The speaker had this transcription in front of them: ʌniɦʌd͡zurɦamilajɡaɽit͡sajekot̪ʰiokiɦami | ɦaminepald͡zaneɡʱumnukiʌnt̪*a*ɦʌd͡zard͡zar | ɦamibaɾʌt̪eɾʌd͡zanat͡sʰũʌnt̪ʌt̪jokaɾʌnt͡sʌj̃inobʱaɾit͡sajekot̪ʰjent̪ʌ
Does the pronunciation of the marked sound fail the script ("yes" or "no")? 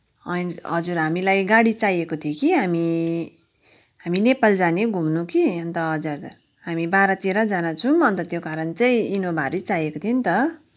yes